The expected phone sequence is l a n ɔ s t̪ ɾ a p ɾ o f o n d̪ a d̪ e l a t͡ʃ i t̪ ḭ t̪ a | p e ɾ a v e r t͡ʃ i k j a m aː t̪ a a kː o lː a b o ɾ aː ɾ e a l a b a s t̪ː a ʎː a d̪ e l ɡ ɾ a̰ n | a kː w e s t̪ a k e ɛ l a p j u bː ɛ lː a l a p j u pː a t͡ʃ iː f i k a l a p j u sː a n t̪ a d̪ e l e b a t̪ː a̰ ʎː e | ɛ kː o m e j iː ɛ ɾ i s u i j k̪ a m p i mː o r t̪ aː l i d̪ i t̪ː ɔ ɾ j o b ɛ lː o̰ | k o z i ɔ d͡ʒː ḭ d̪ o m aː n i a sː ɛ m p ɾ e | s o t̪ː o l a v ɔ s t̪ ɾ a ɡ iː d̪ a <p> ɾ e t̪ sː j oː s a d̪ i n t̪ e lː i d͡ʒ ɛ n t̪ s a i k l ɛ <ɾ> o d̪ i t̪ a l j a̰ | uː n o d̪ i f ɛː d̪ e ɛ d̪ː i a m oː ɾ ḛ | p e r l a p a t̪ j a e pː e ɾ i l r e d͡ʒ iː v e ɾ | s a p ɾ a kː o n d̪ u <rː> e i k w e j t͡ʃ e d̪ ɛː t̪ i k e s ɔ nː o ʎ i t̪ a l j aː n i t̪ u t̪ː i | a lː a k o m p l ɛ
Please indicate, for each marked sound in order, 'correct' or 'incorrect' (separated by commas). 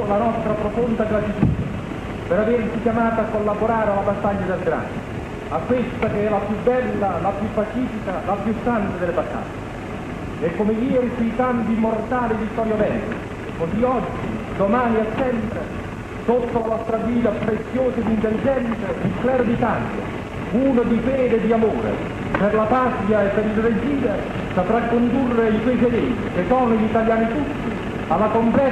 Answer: correct, correct, correct